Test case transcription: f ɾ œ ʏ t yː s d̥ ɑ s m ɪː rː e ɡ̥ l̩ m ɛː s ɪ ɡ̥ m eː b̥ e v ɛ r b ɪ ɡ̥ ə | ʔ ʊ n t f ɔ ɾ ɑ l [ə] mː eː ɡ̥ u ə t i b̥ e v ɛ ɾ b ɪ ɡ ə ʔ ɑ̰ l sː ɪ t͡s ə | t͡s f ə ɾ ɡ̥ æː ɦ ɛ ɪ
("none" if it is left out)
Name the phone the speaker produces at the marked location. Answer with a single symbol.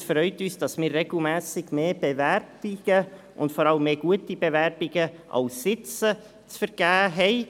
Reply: ə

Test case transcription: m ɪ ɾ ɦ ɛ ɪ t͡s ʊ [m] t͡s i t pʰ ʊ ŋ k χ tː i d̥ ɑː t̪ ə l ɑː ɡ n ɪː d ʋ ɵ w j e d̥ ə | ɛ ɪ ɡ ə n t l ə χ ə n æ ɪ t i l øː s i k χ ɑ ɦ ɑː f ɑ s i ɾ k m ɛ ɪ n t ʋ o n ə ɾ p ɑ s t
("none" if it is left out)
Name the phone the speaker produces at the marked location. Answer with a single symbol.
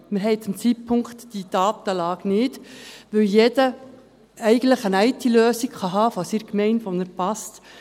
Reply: m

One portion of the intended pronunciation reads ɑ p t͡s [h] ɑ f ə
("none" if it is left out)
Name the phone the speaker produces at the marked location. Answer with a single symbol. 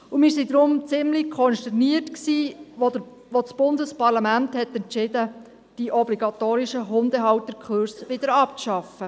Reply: ʃ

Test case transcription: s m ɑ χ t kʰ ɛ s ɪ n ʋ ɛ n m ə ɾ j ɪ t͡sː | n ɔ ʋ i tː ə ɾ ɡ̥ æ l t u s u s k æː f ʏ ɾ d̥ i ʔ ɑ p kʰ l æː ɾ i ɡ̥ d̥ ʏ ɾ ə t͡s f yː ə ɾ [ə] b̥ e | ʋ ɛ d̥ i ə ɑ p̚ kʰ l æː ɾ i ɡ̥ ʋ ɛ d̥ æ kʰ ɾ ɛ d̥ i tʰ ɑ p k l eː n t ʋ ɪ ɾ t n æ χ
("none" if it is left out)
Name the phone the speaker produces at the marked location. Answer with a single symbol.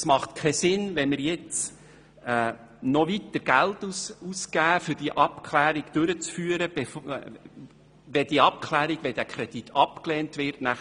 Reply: ə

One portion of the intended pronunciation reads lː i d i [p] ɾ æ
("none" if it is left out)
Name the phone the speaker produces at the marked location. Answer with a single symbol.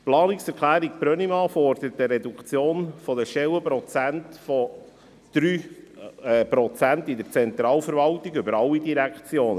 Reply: none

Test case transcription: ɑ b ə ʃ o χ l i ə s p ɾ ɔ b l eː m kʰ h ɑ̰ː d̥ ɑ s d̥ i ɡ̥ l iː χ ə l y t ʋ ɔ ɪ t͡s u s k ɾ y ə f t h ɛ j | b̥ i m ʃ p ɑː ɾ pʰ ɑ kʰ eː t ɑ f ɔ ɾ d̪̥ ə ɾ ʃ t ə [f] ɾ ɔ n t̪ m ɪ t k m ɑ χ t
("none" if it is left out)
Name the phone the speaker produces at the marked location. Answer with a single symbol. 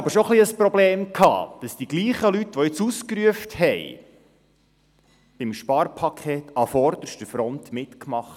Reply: f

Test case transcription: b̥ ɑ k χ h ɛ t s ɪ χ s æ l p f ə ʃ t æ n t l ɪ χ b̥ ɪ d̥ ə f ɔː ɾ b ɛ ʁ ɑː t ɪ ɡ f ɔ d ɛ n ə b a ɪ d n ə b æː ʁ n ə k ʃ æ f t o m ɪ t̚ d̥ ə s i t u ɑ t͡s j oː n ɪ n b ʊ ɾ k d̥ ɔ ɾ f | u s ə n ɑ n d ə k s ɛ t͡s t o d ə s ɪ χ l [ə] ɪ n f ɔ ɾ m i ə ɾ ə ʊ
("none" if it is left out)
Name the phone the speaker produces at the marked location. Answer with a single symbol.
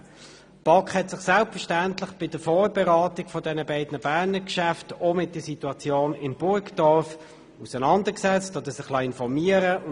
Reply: ɑ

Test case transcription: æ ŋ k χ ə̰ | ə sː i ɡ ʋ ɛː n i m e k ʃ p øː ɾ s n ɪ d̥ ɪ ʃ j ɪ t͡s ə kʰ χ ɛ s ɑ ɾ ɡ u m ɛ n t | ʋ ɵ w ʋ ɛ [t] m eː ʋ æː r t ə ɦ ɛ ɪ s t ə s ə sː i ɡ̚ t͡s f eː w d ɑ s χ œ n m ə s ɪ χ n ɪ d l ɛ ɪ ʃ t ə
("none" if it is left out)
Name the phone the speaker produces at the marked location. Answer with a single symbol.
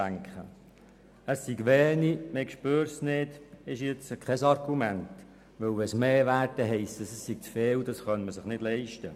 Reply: s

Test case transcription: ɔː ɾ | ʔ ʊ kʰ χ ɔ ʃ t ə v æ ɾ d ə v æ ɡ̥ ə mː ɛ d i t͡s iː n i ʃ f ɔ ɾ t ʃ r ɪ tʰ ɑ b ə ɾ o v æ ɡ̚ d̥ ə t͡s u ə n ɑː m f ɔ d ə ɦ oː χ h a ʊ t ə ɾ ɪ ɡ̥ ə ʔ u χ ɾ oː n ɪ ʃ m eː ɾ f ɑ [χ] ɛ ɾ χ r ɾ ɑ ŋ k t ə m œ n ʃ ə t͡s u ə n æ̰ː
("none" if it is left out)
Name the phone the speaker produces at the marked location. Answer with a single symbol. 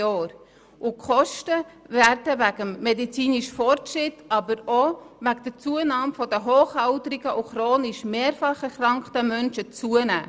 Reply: χ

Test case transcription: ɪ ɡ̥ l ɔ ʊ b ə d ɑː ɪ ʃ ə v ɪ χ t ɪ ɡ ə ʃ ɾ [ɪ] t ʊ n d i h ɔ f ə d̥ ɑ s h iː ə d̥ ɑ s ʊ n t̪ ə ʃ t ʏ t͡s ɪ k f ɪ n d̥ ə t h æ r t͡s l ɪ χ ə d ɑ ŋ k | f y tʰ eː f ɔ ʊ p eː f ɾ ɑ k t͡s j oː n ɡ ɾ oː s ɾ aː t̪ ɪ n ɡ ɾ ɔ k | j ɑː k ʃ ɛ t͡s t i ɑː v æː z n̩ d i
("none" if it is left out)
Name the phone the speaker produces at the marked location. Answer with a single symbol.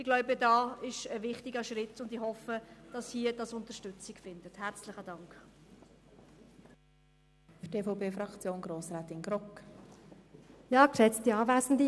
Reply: ɪ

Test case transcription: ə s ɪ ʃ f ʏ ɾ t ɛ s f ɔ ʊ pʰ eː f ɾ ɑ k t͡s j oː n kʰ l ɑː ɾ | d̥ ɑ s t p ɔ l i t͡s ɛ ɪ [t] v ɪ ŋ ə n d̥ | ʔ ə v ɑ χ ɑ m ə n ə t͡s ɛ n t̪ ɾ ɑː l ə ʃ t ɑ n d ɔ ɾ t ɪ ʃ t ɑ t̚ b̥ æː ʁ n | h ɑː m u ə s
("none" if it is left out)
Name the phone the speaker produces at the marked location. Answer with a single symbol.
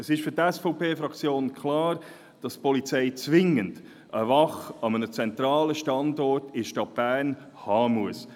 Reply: t͡s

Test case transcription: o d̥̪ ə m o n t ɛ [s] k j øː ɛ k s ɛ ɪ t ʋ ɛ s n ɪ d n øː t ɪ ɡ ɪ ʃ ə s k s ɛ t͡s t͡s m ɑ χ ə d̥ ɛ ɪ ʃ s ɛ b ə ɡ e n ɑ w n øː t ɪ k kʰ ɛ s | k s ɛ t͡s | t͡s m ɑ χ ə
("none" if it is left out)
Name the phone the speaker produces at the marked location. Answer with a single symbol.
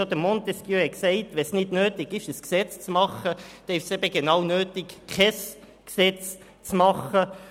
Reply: s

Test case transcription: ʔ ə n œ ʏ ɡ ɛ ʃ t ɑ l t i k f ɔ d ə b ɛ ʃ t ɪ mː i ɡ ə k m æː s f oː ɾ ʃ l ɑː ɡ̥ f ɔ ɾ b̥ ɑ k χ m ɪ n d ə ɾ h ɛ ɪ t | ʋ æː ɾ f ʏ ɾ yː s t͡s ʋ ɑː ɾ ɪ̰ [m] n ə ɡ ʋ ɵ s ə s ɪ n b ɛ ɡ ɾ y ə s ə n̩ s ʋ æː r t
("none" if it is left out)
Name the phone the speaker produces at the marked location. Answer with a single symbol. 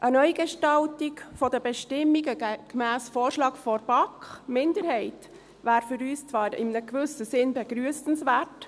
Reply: m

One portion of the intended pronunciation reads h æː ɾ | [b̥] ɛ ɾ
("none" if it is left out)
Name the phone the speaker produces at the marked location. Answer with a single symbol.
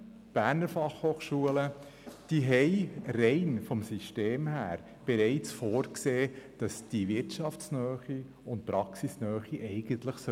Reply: b̥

